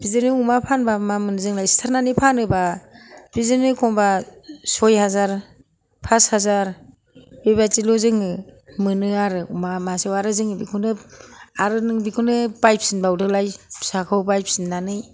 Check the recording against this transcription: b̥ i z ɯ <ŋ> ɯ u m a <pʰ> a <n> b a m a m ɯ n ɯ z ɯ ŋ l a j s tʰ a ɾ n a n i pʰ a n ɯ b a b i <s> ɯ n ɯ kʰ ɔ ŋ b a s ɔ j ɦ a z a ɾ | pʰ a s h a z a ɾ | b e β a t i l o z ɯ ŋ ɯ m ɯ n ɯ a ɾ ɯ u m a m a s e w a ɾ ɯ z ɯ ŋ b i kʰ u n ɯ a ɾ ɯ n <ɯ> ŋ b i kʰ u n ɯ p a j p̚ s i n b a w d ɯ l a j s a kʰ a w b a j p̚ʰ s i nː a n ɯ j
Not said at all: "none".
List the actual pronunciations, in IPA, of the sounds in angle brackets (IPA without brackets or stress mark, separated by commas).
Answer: n, pʰ, n, z, ɯ